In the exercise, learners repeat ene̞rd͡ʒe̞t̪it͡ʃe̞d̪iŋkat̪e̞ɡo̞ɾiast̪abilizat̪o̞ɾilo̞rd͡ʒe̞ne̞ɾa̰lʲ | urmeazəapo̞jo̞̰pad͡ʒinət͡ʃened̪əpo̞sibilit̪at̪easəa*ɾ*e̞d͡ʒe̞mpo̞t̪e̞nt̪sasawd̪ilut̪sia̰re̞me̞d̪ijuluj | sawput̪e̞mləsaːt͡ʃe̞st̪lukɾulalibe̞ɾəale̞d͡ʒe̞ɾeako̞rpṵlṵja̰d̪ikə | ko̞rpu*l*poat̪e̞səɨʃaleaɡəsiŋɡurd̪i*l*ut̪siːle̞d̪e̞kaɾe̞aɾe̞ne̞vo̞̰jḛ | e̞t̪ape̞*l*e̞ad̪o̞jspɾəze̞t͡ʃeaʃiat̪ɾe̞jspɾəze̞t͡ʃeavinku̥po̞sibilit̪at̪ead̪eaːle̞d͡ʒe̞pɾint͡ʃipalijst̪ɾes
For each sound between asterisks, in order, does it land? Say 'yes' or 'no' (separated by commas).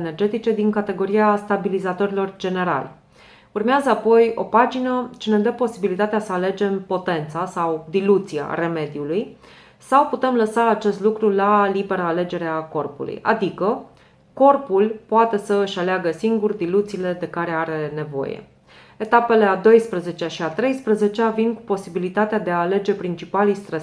no, yes, yes, yes